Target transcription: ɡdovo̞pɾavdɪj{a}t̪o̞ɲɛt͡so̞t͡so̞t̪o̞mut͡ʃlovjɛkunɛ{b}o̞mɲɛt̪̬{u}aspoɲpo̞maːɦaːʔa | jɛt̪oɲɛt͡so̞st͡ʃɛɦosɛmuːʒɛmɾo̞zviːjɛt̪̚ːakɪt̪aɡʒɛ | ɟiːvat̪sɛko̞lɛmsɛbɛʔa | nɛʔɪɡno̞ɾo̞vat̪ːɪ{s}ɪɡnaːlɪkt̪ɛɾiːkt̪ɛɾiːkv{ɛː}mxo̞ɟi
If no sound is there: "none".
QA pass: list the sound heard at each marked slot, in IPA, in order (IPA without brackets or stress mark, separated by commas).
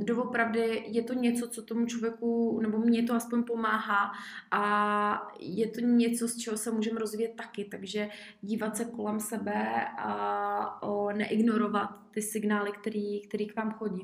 ɛ, b, o, s, aː